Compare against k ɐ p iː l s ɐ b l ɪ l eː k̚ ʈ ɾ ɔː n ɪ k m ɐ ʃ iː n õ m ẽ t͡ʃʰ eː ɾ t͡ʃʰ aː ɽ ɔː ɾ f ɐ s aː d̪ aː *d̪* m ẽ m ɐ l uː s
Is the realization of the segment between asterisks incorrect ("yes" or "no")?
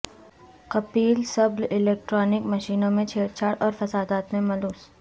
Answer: yes